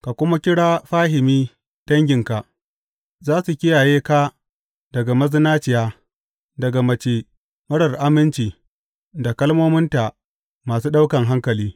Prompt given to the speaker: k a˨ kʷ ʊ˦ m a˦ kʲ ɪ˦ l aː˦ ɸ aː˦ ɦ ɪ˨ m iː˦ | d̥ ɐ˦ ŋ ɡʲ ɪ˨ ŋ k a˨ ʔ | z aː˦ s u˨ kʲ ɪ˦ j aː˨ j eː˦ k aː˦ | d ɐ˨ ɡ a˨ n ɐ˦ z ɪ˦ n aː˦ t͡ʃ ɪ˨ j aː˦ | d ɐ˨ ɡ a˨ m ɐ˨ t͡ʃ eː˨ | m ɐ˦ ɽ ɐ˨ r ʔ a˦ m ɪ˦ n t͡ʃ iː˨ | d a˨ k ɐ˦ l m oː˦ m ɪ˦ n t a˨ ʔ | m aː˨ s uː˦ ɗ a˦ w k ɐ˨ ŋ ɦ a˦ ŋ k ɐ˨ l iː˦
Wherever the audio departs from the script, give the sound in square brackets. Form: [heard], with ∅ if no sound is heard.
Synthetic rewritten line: k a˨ kʷ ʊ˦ m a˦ kʲ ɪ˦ [ɽ] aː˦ ɸ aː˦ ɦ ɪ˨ m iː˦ | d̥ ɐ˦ ŋ ɡʲ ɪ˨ ŋ k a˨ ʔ | z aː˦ s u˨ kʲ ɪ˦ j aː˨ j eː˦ k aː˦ | d ɐ˨ ɡ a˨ [m] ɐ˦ z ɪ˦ n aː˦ t͡ʃ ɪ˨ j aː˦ | d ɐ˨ ɡ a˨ m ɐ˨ t͡ʃ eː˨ | m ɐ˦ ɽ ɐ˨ r ʔ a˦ m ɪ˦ n t͡ʃ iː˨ | d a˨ k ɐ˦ l m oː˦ m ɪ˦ n t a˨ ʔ | m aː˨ s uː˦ ɗ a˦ w k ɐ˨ ŋ ɦ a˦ ŋ k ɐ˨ l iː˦